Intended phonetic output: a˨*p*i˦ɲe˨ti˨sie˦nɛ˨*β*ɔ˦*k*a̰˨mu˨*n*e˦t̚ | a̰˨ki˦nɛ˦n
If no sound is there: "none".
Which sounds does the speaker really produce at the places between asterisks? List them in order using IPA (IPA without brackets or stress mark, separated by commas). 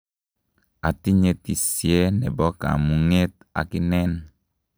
t, b, k, ŋ